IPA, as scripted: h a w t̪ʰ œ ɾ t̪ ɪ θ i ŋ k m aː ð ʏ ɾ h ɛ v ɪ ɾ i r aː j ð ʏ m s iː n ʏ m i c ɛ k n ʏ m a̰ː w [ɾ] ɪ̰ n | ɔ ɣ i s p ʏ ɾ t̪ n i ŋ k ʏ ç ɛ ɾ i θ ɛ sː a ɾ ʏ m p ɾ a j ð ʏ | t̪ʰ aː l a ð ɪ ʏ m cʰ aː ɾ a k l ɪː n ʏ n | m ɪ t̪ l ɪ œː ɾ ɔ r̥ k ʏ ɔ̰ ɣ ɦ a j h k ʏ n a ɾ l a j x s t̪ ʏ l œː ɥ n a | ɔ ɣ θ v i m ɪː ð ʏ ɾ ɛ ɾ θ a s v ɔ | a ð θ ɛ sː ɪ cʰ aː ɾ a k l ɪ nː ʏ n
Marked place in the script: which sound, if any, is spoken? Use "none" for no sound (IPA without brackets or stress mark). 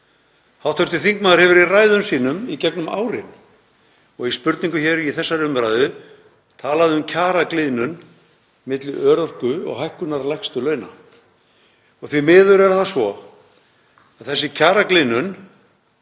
ɾ